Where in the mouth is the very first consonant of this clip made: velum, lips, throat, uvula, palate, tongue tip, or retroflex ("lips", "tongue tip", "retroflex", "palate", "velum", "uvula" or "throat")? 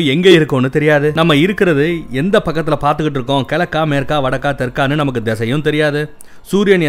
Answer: velum